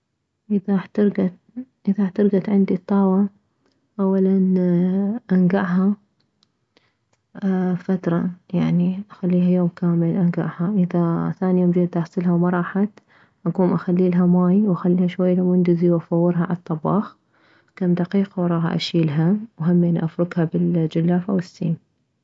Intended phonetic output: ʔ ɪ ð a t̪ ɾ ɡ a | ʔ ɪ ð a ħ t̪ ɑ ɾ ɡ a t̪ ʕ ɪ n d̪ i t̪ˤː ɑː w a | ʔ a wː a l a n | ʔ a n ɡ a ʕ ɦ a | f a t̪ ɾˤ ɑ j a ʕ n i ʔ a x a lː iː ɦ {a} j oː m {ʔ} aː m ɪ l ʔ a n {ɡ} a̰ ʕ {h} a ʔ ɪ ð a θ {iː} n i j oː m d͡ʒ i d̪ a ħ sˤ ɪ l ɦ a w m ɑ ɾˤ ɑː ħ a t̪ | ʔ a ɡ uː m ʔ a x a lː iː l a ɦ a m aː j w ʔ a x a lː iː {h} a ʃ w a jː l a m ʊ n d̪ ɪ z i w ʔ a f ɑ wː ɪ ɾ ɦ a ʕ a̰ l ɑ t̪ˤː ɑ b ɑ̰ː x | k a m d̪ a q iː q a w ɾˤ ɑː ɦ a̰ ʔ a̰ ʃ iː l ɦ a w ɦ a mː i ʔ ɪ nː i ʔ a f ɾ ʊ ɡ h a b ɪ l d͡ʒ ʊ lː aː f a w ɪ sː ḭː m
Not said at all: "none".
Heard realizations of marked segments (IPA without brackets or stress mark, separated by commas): a, k, ɡ, h, aː, h